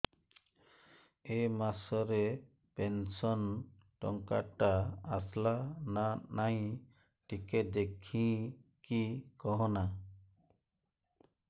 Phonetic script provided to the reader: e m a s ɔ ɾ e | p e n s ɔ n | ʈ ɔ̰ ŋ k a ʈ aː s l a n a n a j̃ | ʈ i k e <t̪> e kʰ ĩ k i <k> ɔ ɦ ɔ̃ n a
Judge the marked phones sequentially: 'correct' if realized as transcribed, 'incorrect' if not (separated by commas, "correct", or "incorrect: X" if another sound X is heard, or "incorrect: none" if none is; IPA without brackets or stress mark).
incorrect: d̪, correct